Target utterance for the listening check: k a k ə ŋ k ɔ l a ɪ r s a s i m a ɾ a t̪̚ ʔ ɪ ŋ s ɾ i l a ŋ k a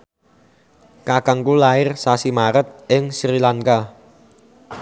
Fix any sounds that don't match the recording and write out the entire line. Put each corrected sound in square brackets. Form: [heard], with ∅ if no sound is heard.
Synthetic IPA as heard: k a k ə ŋ k [u] l a ɪ r s a s i m a ɾ [ə] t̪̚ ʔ ɪ ŋ s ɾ i l a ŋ k a